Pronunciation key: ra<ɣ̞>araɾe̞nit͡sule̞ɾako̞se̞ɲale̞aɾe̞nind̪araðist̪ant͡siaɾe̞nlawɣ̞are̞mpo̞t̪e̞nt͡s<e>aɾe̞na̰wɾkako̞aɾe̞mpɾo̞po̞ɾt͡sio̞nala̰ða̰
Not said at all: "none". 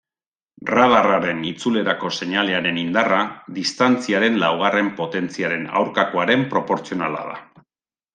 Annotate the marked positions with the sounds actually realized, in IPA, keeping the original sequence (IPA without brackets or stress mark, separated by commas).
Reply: ð̞, i